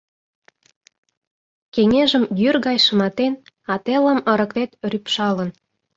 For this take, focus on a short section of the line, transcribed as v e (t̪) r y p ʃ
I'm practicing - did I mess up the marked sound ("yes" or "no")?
no